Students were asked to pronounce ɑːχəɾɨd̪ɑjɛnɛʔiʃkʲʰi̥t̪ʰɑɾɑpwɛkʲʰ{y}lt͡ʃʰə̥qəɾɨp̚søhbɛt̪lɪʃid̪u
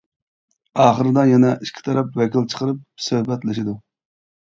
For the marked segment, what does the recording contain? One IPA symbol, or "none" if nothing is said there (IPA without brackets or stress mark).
i